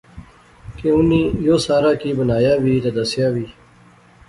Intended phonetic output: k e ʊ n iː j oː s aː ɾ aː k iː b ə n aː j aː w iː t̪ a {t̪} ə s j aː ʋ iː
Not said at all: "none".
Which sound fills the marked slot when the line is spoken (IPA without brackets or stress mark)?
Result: d̪